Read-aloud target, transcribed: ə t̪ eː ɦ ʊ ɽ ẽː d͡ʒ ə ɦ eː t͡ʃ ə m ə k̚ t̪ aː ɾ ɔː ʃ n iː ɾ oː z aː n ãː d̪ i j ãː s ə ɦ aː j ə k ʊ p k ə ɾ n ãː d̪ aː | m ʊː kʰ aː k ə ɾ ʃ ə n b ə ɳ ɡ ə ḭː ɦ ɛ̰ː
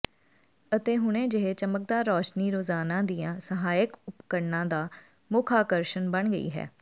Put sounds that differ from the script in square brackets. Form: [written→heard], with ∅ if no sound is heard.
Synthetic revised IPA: ə t̪ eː ɦ ʊ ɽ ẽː d͡ʒ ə ɦ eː t͡ʃ ə m ə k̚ [t̪→d̪] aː ɾ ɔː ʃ n iː ɾ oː z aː n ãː d̪ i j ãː s ə ɦ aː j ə k ʊ p k ə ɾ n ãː d̪ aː | m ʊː kʰ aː k ə ɾ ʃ ə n b ə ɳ ɡ ə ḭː ɦ ɛ̰ː